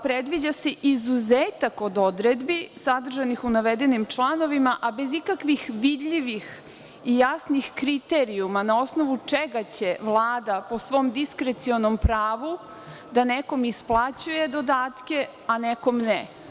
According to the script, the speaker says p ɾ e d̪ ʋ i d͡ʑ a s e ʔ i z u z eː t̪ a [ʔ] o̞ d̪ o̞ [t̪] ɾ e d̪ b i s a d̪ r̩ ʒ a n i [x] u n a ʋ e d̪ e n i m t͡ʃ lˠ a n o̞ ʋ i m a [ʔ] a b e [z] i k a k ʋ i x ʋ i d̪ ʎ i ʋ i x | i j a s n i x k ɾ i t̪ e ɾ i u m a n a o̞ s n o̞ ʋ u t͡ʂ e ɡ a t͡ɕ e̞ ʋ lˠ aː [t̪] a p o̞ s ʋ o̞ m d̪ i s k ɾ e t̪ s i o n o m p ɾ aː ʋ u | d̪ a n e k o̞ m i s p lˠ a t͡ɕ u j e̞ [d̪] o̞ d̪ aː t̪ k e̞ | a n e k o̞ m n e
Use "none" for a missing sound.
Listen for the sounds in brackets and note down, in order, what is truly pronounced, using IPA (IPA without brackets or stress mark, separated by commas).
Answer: k, d̪, x, ʔ, z, d̪, d̪